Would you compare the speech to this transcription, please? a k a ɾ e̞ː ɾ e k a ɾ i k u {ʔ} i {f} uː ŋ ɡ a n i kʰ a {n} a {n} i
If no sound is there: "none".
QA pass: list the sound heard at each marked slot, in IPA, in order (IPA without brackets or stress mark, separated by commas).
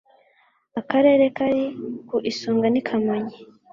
ʔ, s, m, ɲ